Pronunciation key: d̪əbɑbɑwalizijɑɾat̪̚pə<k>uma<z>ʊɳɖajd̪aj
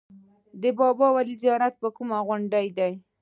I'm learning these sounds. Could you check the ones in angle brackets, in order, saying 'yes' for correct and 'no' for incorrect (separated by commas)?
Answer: yes, no